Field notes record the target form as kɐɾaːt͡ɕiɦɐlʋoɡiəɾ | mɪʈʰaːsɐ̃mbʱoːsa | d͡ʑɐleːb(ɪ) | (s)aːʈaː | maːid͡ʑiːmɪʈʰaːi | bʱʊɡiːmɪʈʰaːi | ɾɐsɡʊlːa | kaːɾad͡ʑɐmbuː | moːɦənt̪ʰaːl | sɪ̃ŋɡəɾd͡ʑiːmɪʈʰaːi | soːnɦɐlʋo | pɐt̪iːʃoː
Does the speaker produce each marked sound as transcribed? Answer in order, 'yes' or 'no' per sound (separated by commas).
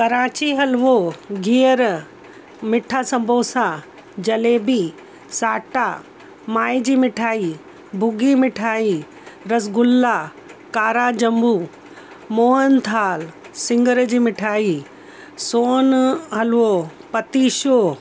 no, yes